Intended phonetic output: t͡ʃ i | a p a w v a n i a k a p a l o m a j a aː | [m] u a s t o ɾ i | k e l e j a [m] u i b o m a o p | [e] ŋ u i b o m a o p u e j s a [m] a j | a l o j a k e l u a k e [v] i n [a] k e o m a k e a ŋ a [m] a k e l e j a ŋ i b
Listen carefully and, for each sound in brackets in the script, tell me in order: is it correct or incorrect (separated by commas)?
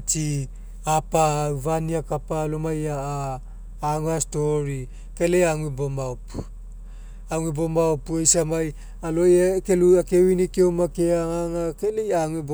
incorrect, incorrect, incorrect, correct, incorrect, incorrect, incorrect